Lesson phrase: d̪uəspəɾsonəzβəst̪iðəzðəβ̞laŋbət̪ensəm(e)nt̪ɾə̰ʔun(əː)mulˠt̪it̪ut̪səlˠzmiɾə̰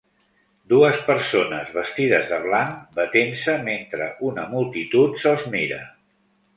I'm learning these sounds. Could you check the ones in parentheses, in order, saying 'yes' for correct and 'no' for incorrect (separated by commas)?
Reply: yes, no